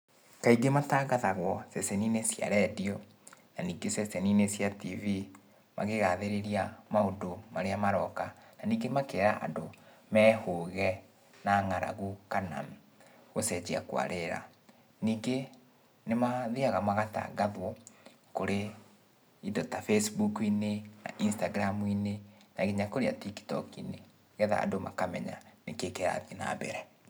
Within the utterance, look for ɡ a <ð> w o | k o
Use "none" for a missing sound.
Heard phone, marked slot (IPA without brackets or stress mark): ð